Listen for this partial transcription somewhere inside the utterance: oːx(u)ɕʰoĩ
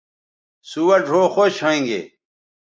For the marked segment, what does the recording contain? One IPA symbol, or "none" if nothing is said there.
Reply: o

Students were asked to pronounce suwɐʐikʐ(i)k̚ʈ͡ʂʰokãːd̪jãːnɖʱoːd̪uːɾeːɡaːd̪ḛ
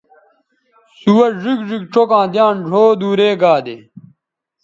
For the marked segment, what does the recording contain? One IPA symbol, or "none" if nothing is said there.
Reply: i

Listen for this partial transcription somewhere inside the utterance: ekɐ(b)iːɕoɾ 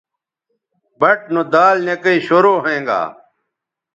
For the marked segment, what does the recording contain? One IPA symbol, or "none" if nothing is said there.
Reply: none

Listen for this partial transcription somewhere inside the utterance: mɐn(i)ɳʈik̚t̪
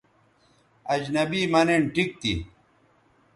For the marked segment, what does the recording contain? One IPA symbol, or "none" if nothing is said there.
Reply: e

